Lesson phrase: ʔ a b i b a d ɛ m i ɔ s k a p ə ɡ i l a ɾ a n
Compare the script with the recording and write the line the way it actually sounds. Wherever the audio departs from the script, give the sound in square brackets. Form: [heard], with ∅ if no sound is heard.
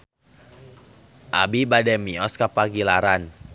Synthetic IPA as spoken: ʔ a b i b a d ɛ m i ɔ s k a p [a] ɡ i l a ɾ a n